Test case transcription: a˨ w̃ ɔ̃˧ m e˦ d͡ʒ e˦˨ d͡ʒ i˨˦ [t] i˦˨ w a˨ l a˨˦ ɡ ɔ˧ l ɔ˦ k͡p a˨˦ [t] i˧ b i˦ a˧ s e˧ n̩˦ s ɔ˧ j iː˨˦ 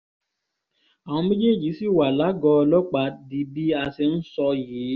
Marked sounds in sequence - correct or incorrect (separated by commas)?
incorrect, incorrect